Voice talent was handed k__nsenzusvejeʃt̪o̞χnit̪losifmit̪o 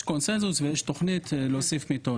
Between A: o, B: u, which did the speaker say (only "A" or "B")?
A